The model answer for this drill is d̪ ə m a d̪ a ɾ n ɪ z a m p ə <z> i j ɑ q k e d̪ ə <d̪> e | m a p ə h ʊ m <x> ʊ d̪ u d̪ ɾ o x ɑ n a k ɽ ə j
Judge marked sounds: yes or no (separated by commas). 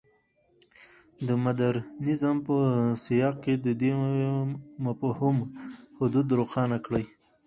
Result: no, yes, no